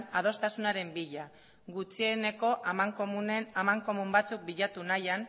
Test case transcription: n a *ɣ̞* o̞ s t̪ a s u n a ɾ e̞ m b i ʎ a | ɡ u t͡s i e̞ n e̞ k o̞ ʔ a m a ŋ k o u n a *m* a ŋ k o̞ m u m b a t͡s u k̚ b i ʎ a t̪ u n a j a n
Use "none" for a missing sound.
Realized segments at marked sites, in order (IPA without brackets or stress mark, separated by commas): ð̞, m